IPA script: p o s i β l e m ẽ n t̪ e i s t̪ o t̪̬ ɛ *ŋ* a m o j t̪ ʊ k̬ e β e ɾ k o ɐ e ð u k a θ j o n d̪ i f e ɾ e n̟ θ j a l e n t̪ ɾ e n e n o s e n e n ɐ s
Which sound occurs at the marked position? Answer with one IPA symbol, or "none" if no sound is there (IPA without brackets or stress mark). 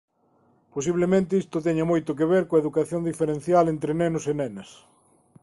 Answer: ɲ